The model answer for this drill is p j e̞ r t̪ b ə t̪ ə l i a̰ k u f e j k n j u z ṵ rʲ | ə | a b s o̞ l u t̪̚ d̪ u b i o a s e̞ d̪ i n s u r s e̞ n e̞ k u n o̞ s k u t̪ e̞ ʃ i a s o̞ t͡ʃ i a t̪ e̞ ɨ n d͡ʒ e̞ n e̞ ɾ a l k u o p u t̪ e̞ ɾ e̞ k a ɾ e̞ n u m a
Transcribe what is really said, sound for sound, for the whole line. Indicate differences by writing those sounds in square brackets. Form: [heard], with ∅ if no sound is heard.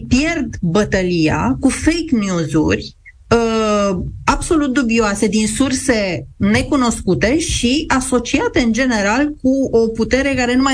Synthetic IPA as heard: p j e̞ r [d̪] b ə t̪ ə l i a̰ k u f e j k n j u z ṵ rʲ | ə | a b s o̞ l u t̪̚ d̪ u b i o a s e̞ d̪ i n s u r s e̞ n e̞ k u n o̞ s k u t̪ e̞ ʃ i a s o̞ t͡ʃ i a t̪ e̞ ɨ n d͡ʒ e̞ n e̞ ɾ a l k u o p u t̪ e̞ ɾ e̞ k a ɾ e̞ n u m a